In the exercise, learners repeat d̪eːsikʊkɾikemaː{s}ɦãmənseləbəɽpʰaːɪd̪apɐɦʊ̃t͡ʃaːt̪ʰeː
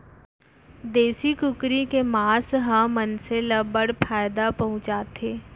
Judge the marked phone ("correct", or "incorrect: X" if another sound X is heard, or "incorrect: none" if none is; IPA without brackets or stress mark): correct